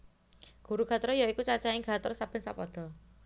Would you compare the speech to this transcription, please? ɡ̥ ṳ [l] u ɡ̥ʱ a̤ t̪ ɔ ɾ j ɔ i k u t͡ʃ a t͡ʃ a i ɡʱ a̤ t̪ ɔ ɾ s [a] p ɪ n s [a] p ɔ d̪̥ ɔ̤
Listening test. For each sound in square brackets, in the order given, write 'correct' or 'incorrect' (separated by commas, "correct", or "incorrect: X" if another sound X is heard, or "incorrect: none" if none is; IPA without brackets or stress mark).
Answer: incorrect: ɾ, correct, correct